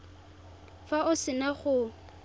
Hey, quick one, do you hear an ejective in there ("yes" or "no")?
no